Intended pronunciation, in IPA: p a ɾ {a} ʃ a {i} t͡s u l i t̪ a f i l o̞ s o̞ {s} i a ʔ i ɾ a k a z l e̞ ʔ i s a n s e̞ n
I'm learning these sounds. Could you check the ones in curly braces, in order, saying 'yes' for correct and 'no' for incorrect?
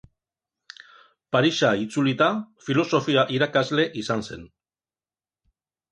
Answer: no, yes, no

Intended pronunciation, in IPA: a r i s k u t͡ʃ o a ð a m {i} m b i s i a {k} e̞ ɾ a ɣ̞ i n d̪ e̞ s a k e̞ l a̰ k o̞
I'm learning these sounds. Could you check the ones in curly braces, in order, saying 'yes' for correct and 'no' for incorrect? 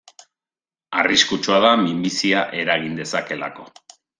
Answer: yes, no

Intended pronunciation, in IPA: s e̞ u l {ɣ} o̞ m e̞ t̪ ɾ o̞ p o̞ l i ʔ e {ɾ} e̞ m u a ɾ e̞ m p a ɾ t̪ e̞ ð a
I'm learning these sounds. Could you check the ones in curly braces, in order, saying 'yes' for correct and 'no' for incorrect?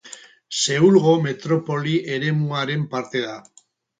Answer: yes, yes

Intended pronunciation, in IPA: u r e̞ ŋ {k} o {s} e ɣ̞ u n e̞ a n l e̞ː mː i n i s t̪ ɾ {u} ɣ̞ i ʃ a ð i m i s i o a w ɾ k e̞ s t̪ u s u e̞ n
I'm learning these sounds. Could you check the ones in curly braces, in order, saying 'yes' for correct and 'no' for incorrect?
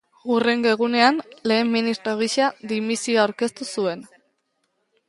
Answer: no, no, no

